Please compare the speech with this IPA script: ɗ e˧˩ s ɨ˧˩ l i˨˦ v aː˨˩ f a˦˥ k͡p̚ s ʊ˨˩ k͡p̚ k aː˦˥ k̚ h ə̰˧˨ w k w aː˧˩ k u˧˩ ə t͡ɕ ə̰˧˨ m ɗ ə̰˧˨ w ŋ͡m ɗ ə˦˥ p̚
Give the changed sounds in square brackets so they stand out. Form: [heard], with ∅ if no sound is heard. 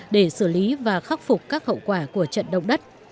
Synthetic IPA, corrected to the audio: ɗ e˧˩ s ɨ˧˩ l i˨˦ v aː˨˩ [x] a˦˥ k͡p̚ [f] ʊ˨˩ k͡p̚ k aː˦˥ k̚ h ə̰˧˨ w k w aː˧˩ k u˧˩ ə t͡ɕ ə̰˧˨ [n] ɗ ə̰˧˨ w ŋ͡m ɗ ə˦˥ [t̚]